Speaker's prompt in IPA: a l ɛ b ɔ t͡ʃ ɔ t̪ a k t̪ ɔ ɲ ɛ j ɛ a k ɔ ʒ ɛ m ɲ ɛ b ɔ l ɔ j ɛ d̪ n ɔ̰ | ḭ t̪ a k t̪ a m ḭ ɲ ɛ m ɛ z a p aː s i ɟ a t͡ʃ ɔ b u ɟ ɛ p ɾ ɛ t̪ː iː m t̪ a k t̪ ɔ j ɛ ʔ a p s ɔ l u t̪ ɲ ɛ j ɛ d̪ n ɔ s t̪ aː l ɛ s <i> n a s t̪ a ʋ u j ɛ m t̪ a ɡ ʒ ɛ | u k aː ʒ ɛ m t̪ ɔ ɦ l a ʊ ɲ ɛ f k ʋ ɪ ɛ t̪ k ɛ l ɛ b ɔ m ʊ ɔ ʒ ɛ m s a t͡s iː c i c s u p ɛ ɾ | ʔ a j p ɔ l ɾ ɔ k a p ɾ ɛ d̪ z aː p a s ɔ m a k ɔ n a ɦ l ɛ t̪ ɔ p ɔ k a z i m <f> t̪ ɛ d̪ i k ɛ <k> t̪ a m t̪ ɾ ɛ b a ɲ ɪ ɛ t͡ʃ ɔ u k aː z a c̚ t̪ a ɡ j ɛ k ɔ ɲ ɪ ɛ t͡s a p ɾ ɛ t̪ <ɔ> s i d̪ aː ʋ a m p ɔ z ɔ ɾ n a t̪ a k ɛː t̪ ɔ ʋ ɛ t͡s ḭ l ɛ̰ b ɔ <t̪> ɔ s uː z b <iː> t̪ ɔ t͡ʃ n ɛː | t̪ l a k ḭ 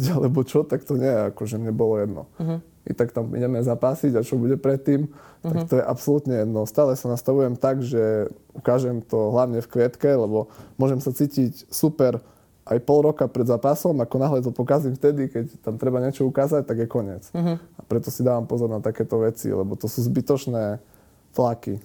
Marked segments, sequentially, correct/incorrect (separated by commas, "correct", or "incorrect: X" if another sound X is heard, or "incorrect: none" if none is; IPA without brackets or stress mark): incorrect: a, correct, incorrect: c, correct, correct, incorrect: i